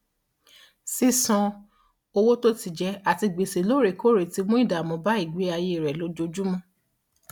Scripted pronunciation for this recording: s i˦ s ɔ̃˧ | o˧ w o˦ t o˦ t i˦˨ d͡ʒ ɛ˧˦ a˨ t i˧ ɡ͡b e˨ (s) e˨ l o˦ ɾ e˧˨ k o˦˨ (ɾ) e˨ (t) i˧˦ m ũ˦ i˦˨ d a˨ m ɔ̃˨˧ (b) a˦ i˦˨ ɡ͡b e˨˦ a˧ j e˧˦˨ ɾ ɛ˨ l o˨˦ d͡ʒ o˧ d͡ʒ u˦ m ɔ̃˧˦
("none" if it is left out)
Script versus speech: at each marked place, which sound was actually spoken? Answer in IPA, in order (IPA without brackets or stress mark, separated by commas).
s, ɾ, t, b